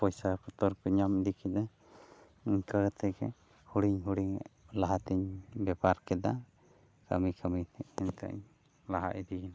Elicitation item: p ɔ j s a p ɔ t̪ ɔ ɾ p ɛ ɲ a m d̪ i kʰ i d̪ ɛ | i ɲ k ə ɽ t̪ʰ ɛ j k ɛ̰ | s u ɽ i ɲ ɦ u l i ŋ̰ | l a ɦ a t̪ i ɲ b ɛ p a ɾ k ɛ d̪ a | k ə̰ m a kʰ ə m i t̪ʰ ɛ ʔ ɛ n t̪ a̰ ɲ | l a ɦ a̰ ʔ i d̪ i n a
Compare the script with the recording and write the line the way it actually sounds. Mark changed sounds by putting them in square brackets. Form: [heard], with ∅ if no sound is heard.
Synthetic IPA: p ɔ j s a p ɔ t̪ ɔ ɾ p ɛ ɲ a m d̪ i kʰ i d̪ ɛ | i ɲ k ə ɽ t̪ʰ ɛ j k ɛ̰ | [h] u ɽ i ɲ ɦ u [ɽ] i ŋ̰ | l a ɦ a t̪ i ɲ b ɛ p a ɾ k ɛ d̪ a | k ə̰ m [i] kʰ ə m i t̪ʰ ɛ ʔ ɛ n t̪ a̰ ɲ | l a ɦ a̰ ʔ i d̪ i n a